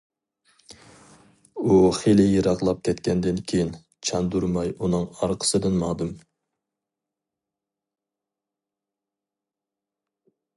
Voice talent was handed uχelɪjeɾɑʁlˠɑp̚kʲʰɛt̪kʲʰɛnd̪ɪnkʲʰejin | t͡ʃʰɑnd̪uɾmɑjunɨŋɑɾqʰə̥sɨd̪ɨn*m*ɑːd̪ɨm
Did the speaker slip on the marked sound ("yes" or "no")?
no